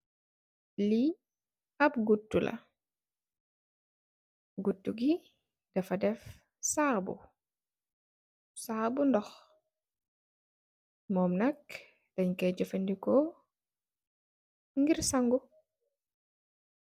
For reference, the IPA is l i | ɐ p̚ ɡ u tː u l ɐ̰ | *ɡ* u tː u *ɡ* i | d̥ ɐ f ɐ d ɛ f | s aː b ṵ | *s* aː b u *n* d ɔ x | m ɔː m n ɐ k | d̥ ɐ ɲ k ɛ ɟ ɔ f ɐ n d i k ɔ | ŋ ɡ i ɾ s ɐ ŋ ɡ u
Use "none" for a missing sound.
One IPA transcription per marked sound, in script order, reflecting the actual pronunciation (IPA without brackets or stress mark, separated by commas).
ɡ, ɡ, s, n